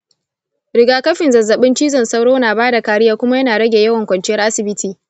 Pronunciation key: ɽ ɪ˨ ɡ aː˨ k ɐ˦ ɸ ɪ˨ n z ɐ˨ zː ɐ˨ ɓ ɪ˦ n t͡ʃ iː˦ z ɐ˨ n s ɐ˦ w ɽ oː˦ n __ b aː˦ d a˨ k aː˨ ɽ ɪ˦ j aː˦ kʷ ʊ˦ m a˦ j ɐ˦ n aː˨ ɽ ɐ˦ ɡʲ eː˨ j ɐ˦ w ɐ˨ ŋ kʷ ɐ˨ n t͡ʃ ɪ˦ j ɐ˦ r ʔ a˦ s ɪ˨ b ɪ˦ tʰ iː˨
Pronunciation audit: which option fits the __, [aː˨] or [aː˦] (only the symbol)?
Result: aː˨